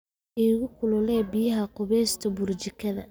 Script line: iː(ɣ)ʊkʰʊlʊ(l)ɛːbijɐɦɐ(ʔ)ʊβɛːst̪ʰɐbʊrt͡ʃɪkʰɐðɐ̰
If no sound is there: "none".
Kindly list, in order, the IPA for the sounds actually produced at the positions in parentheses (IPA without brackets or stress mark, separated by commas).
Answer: ɣ, l, q